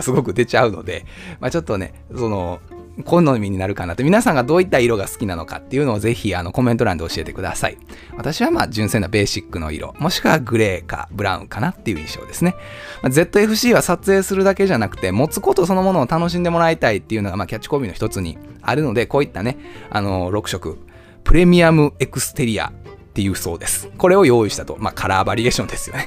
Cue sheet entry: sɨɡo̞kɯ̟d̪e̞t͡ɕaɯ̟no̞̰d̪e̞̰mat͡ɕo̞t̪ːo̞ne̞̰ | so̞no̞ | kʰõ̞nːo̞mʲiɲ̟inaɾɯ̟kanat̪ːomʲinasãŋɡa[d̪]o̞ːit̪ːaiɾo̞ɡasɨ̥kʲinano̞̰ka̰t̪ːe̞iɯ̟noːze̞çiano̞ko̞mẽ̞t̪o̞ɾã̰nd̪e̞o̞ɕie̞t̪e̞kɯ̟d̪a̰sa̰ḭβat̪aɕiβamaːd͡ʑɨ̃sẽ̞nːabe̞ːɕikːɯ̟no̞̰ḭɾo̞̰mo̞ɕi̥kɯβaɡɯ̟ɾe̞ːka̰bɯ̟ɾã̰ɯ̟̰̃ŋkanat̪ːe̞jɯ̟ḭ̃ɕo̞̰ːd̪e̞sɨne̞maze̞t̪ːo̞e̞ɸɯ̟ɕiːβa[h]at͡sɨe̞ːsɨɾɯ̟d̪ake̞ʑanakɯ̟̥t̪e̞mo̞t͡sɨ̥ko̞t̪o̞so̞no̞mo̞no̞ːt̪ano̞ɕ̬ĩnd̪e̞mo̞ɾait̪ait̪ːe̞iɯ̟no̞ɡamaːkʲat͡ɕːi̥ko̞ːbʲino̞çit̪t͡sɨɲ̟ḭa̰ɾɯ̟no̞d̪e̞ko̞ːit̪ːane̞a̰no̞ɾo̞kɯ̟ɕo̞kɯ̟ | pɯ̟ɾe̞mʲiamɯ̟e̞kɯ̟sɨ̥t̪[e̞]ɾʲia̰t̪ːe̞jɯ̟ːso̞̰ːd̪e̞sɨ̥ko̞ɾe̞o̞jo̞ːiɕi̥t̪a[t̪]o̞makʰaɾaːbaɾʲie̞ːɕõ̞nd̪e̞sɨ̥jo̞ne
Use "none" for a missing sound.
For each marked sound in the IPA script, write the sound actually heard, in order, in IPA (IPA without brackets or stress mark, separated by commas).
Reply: d̪, s, e̞, t̪